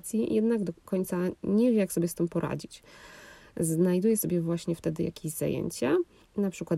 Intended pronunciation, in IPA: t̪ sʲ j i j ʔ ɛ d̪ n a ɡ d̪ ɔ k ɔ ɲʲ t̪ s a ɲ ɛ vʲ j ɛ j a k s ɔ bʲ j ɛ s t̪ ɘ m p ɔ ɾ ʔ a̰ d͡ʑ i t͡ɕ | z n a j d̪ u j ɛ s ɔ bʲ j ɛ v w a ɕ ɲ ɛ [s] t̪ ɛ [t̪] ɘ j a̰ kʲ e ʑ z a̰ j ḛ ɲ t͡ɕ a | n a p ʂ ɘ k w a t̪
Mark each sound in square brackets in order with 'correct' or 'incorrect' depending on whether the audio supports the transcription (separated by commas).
incorrect, incorrect